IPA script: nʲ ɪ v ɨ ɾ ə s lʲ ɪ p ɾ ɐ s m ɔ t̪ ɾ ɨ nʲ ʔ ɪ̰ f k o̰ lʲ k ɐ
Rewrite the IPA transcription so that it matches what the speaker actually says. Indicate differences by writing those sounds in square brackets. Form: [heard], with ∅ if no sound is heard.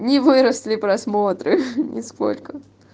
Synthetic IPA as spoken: nʲ ɪ v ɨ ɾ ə s lʲ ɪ p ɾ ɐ s m [o] t̪ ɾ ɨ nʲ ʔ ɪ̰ [s] k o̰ lʲ k [ə]